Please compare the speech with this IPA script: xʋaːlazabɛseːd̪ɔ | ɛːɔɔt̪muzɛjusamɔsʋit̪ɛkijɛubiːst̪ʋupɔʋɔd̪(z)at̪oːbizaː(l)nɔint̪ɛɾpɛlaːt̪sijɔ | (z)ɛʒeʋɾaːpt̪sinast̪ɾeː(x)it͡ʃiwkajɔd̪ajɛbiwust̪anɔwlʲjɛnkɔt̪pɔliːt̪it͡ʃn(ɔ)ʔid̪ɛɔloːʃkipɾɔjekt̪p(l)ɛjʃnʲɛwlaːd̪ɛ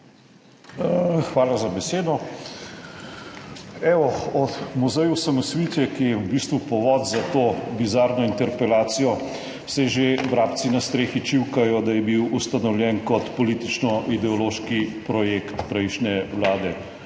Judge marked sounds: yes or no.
yes, no, no, yes, yes, no

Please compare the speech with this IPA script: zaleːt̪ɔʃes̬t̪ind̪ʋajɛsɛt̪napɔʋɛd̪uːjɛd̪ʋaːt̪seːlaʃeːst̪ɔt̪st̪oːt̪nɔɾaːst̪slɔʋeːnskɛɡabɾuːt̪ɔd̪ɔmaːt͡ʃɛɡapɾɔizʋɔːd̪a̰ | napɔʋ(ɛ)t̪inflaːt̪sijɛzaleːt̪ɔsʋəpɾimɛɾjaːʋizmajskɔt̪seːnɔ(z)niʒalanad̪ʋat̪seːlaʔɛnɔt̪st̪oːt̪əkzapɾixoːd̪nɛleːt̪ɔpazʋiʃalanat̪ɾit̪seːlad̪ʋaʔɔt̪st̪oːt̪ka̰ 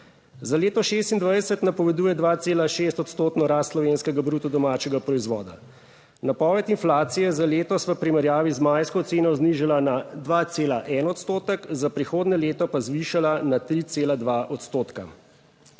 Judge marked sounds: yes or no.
yes, yes

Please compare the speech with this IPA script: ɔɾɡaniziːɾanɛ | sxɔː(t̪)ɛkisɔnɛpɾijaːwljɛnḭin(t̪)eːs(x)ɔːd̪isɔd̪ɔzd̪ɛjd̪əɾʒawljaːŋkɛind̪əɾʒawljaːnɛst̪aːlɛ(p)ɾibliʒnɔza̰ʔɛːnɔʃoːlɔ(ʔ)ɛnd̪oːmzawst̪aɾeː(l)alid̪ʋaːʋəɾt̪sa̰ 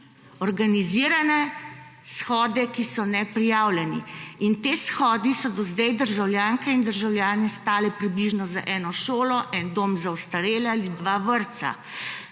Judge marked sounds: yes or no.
no, yes, yes, yes, yes, yes

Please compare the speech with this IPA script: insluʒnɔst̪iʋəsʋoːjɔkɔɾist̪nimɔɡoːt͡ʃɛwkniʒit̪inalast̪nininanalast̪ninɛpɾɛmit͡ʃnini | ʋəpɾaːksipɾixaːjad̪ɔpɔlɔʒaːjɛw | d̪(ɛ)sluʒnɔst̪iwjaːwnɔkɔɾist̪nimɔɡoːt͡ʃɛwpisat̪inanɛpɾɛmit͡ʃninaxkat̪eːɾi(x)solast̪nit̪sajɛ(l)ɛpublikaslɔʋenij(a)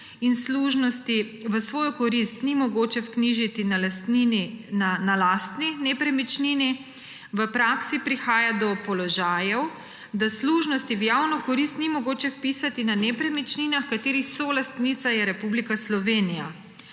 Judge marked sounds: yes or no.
no, yes, no, yes

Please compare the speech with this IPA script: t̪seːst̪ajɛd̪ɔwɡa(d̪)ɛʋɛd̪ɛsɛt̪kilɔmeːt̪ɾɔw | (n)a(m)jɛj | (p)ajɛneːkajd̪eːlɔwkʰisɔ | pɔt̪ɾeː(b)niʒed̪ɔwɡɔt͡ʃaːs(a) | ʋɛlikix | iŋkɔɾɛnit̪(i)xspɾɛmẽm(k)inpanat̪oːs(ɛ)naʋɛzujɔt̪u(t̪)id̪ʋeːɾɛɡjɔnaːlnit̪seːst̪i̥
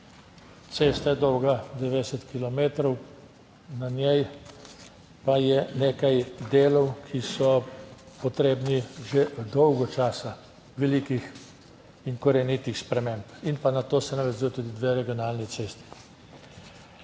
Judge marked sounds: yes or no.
yes, yes, no, yes, yes, yes, yes, no, yes, no

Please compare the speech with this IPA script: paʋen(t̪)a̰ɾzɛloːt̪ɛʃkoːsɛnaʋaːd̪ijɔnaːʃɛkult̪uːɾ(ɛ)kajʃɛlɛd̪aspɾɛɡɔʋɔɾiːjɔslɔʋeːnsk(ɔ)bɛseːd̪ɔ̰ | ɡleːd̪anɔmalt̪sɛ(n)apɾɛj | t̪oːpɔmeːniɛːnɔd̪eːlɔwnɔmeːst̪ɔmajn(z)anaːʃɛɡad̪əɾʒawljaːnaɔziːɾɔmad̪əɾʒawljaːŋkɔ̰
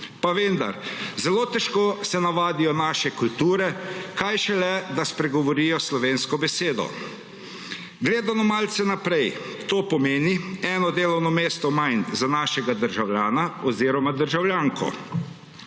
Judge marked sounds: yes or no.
no, yes, yes, yes, yes

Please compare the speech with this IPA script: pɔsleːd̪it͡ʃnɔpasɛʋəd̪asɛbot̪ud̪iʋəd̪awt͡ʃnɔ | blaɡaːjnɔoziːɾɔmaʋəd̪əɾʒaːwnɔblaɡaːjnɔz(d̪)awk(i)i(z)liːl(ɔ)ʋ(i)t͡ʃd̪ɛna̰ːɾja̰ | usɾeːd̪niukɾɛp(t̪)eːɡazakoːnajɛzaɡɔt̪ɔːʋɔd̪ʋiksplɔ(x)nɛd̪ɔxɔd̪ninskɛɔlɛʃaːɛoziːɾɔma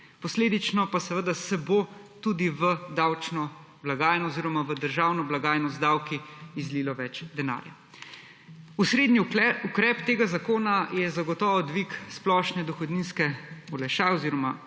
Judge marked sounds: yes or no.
yes, yes, yes, yes, no, yes, no

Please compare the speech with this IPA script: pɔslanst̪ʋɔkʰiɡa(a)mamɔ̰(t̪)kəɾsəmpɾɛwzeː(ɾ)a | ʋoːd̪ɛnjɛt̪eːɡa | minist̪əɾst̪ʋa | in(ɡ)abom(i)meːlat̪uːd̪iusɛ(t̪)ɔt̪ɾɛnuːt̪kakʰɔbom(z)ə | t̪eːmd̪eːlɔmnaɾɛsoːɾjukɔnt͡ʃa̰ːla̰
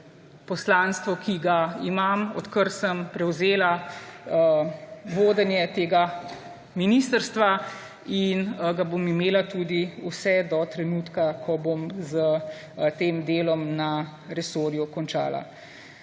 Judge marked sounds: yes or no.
no, yes, no, yes, yes, no, yes

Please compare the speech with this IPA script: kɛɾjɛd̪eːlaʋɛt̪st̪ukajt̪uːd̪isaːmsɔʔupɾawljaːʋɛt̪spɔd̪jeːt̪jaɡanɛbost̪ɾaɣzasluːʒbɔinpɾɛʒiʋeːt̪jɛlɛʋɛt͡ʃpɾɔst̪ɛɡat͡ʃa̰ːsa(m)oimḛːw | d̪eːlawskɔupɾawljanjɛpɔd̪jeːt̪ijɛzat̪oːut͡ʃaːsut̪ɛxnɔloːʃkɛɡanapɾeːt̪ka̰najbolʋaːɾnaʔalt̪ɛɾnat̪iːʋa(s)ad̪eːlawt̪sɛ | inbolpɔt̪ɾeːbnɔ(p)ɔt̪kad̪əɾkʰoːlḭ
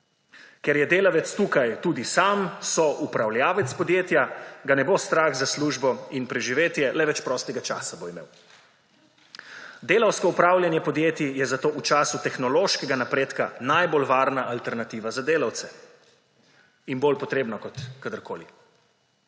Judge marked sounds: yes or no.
no, no, no

